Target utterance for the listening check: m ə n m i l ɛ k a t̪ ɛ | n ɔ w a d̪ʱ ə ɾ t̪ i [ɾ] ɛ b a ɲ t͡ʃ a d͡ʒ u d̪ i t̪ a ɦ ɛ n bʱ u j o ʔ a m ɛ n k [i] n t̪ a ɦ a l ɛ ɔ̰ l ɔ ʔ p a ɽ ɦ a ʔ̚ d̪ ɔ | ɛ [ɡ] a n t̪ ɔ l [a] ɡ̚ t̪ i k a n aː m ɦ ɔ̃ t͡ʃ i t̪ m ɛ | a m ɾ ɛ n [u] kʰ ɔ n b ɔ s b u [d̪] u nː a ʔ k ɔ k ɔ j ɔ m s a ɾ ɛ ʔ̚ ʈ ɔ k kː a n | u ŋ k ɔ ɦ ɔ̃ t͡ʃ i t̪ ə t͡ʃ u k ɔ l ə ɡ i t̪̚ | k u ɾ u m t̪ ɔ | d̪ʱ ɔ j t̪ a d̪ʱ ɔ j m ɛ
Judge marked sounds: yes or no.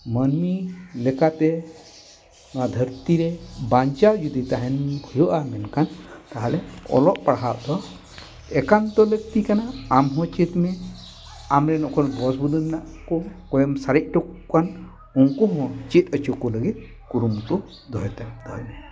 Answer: yes, no, no, no, no, yes

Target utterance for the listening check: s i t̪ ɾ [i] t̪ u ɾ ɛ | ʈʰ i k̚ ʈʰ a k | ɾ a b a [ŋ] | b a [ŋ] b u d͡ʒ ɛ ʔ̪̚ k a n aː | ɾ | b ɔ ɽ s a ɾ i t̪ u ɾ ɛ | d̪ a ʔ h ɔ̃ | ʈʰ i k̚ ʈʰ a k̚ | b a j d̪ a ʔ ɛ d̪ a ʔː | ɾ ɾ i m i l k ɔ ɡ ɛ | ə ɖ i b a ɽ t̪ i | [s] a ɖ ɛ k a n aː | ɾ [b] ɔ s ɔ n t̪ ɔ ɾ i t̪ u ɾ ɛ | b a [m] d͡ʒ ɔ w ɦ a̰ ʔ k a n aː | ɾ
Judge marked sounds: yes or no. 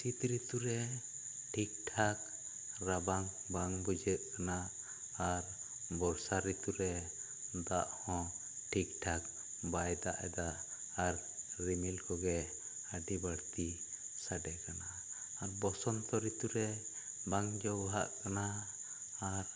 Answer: yes, yes, yes, yes, yes, no

